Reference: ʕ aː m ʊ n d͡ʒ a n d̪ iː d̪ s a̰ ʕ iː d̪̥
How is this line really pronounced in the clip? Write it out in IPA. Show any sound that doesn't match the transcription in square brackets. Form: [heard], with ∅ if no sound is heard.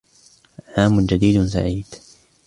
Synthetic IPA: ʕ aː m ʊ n d͡ʒ a [∅] d̪ iː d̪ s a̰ ʕ iː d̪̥